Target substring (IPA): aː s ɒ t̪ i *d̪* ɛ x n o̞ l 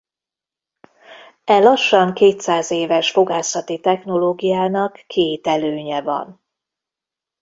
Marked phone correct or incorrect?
incorrect